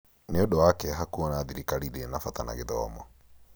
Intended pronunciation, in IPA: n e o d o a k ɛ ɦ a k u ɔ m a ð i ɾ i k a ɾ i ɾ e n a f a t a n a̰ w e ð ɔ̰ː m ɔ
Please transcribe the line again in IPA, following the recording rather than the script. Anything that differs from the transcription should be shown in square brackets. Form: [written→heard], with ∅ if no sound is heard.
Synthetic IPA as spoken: n e o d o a k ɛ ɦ a k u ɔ [m→n] a ð i ɾ i k a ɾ i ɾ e n a f a t a n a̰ [w→ɣ] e ð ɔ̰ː m ɔ